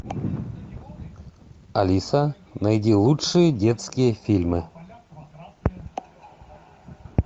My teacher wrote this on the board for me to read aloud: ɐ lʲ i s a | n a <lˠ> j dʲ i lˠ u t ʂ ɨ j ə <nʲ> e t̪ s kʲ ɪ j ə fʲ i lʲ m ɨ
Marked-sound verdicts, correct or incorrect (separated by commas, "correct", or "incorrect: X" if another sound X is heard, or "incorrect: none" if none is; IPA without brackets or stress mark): incorrect: none, incorrect: dʲ